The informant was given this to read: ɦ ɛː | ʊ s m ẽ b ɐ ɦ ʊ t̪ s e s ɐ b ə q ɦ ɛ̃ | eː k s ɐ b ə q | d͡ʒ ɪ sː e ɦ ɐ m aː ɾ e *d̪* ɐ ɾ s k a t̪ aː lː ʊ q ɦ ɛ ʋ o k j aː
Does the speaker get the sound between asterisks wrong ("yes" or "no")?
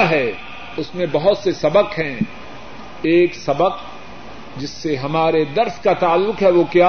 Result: no